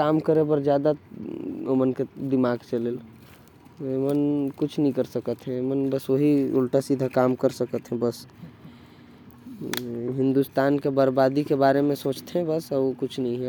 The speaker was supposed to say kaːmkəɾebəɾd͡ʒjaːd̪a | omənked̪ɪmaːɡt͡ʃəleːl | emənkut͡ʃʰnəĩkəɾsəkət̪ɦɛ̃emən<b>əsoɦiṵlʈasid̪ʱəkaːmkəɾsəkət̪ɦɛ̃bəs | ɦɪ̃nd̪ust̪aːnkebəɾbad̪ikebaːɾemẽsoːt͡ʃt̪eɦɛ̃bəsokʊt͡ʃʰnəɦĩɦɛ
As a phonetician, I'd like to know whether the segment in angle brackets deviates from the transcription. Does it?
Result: no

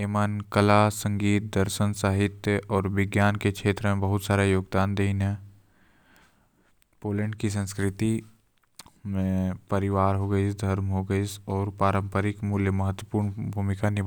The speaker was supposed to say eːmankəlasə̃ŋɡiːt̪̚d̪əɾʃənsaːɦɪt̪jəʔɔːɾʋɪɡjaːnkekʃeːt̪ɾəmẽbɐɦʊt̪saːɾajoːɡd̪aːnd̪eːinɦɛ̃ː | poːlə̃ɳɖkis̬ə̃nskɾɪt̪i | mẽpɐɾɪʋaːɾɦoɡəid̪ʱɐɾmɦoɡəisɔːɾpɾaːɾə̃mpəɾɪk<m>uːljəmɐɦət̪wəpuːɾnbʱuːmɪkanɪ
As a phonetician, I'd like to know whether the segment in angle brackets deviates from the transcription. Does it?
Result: no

